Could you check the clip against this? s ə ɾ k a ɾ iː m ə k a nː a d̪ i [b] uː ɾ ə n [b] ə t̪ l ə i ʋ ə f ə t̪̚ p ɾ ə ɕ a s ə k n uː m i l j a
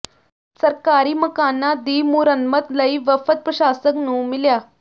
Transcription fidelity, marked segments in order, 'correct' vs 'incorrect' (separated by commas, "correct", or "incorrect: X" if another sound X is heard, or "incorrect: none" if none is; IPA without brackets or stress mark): incorrect: m, incorrect: m